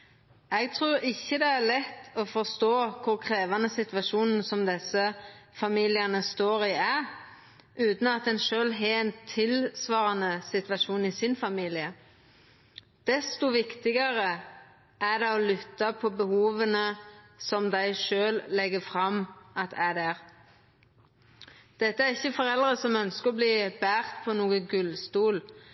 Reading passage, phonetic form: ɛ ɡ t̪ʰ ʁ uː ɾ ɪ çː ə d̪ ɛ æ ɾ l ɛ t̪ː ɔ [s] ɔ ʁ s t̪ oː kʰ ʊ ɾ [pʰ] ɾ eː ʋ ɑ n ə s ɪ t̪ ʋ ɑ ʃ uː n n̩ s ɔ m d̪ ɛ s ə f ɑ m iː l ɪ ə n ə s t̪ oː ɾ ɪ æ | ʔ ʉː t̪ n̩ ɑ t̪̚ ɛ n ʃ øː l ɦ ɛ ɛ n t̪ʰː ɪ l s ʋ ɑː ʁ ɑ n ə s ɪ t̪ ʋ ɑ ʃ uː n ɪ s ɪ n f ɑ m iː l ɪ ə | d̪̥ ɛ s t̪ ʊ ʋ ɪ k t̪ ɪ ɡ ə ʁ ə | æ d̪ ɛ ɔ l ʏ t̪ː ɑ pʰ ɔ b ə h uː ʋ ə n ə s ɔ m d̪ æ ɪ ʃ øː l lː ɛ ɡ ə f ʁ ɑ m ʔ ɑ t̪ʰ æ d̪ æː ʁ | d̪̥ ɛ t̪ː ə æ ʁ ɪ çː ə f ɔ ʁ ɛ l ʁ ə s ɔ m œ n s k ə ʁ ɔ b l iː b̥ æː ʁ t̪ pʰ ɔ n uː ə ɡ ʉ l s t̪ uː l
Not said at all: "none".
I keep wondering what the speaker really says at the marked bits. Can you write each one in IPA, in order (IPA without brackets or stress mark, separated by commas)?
f, kʰ